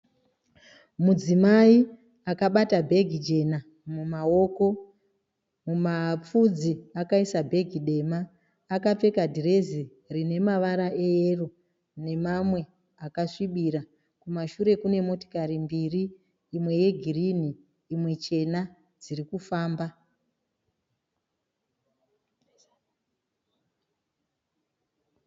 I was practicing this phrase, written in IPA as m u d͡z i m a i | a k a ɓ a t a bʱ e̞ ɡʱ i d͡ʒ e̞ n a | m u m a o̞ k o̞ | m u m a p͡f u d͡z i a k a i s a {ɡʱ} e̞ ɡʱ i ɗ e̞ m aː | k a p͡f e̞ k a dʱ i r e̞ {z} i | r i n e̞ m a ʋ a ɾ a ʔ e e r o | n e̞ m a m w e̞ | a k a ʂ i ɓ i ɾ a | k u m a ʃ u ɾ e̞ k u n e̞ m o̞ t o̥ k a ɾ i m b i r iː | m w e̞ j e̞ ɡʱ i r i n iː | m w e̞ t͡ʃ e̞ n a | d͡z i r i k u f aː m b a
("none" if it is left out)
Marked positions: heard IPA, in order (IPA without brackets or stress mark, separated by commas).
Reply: bʱ, z